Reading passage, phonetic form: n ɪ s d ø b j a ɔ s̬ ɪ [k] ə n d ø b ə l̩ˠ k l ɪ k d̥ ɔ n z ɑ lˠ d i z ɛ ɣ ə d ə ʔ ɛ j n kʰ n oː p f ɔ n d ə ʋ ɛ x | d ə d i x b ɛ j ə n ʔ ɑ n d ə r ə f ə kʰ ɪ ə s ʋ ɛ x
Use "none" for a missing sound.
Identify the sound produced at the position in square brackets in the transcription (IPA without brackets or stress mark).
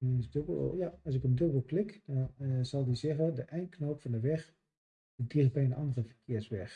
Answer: k